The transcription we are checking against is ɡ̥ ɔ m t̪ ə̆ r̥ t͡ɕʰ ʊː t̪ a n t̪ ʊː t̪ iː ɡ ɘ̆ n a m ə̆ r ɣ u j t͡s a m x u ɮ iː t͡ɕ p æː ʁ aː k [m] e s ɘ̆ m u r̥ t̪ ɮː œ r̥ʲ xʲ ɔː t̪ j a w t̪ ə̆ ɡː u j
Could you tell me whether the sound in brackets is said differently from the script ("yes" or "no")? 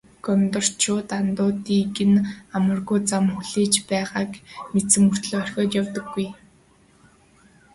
no